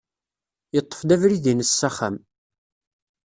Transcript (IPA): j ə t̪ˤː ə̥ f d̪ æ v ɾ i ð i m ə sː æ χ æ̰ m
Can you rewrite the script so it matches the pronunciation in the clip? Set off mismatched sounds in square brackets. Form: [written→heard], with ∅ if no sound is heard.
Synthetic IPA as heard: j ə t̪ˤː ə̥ f d̪ æ v ɾ i ð i [m→n] ə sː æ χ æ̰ m